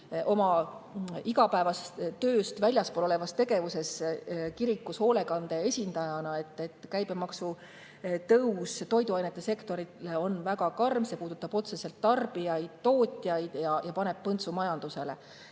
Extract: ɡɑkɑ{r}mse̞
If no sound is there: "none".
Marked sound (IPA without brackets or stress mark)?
r